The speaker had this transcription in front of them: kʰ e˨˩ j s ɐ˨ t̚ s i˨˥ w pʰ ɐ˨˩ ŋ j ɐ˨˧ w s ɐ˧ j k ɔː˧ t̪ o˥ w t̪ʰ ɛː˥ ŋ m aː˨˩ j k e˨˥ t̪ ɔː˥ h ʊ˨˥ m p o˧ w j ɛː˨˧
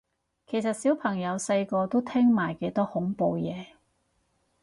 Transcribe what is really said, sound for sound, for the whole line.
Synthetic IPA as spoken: kʰ e˨˩ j s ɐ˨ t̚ s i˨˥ w pʰ ɐ˨˩ ŋ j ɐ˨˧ w s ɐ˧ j k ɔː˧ t̪ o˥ w t̪ʰ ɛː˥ ŋ m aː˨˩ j k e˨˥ t̪ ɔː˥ h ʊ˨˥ ŋ p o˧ w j ɛː˨˧